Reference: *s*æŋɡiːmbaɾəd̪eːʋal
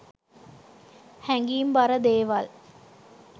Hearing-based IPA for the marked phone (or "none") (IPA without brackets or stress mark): h